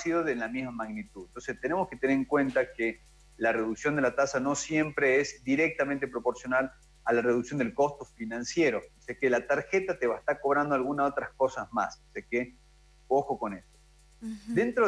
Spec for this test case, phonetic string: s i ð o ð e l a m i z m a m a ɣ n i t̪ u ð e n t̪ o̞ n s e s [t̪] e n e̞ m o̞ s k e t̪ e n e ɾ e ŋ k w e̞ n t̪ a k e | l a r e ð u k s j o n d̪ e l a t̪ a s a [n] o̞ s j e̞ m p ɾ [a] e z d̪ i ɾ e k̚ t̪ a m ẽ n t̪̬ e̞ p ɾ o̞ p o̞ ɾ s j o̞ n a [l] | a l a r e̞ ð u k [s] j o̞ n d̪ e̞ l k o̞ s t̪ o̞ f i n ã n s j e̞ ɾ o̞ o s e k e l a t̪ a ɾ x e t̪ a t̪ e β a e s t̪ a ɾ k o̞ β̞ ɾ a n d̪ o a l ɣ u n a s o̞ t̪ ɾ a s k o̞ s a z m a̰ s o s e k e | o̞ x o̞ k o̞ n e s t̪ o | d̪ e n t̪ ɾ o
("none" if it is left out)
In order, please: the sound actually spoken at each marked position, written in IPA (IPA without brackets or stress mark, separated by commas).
t̪, n, e, l, s